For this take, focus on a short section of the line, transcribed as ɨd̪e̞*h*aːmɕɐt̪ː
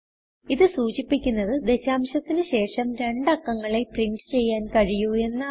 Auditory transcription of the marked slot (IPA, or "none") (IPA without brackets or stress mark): ɕ